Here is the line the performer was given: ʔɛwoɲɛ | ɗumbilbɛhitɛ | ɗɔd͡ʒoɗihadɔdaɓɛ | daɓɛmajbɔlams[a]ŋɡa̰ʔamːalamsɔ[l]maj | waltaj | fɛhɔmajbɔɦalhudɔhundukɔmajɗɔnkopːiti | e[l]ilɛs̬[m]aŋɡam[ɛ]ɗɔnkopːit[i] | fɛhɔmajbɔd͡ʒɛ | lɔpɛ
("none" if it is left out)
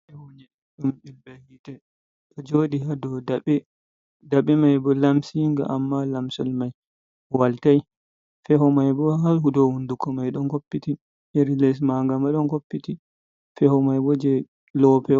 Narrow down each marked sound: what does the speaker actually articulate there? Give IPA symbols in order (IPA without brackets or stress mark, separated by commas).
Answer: i, l, ɾ, m, a, i